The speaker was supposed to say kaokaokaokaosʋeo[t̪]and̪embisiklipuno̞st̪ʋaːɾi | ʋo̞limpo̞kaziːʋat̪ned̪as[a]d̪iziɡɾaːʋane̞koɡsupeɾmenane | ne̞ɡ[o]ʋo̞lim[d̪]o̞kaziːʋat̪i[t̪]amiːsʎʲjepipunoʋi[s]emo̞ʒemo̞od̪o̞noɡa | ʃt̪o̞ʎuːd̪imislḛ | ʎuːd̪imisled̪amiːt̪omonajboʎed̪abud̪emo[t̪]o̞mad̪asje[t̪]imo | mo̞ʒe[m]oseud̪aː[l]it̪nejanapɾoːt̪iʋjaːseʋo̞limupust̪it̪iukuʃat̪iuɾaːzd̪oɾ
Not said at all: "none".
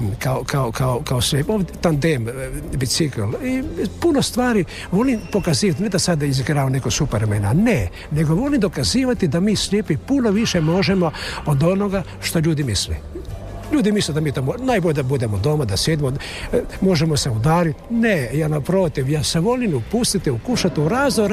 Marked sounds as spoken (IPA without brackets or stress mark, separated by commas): t̪, a, o, d̪, d̪, ʃ, d̪, d̪, m, ɾ